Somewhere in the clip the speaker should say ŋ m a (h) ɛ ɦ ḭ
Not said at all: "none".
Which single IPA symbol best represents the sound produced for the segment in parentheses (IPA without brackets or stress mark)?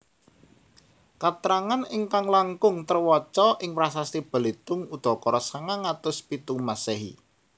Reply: s